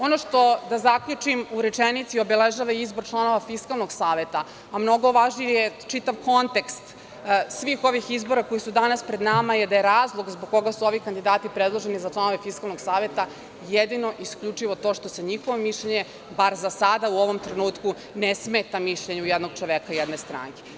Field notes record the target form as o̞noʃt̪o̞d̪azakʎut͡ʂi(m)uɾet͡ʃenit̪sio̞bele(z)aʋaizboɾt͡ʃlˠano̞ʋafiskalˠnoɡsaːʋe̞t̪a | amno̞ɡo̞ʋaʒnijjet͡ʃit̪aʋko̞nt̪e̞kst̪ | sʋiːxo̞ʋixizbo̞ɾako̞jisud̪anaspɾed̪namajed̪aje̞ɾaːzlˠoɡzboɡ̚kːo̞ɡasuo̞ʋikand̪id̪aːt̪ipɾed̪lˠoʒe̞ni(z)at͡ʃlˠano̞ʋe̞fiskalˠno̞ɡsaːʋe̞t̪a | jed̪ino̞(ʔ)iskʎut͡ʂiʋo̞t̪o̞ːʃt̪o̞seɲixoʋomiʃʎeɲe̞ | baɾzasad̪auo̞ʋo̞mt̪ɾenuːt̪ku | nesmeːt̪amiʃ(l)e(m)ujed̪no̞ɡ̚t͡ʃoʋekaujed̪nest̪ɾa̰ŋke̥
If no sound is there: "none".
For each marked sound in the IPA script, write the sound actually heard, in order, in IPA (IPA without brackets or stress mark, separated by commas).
m, ʒ, z, ʔ, ʎ, ɲ